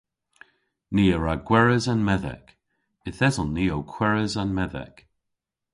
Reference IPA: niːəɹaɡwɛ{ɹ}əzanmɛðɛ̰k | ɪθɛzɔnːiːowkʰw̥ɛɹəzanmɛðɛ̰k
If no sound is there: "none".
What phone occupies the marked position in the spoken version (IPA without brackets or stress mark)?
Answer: ɹ